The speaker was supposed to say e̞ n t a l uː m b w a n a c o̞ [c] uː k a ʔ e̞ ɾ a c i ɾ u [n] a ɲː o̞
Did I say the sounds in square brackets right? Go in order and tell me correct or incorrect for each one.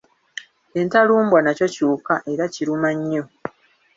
correct, incorrect: m

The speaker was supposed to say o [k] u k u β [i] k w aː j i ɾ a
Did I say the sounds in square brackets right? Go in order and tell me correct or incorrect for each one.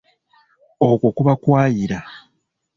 correct, incorrect: a

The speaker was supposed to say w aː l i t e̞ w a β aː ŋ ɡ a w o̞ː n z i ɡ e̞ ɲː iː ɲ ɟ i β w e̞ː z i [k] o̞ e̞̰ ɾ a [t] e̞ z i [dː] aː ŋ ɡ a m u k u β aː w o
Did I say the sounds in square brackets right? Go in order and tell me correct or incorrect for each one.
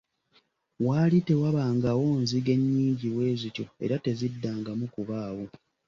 incorrect: c, correct, correct

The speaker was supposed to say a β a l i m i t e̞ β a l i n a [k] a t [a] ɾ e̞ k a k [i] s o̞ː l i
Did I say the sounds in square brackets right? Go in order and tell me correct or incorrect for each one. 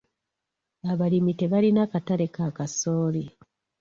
correct, correct, incorrect: a

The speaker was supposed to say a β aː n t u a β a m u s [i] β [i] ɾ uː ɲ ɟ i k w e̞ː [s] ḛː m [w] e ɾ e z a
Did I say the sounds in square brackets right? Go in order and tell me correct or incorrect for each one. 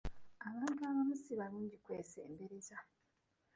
correct, incorrect: a, correct, incorrect: b

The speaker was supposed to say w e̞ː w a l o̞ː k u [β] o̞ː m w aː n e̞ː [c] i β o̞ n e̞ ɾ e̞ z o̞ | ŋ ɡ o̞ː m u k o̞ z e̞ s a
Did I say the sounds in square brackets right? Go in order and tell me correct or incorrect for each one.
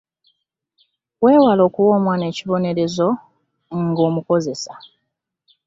incorrect: w, correct

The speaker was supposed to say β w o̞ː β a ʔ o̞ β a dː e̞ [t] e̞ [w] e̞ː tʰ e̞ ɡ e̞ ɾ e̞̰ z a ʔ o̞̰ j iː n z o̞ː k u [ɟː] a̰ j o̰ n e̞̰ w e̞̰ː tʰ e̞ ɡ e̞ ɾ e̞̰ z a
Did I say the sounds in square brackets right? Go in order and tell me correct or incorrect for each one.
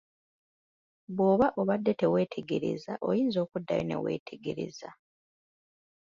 correct, correct, incorrect: dː

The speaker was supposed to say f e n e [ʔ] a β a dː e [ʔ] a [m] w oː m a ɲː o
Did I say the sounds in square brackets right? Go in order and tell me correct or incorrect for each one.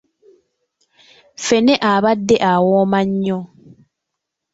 correct, correct, incorrect: none

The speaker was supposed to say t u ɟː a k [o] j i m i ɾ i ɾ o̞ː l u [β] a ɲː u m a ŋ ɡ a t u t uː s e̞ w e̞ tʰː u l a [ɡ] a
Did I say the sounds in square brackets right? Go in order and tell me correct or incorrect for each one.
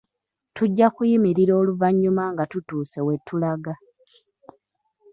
incorrect: u, incorrect: v, correct

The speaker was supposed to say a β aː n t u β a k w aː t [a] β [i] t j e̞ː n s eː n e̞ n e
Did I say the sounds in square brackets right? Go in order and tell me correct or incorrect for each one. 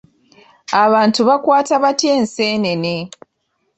correct, incorrect: a

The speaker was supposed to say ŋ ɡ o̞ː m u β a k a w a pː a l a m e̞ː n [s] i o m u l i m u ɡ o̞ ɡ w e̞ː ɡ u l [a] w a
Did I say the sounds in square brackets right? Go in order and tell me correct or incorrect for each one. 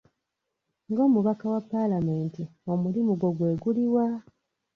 incorrect: t, incorrect: i

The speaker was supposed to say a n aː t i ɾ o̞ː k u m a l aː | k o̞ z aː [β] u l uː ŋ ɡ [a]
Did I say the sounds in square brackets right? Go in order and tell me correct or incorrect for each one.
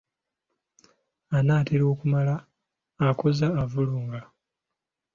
incorrect: v, correct

